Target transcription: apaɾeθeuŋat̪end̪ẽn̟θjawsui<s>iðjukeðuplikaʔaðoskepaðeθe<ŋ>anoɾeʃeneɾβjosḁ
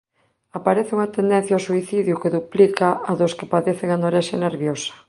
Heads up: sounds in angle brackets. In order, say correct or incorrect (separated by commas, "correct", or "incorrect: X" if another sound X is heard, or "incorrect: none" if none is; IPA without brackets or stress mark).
incorrect: θ, correct